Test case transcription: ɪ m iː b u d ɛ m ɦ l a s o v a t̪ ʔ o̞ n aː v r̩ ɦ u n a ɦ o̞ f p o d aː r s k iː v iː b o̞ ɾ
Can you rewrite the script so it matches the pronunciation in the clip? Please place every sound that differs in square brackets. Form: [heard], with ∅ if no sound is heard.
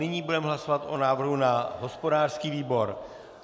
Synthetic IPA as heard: ɪ [ɲ] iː b u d ɛ m ɦ l a s o v a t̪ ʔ o̞ n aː v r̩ ɦ u n a ɦ o̞ [s] p o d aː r s k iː v iː b o̞ ɾ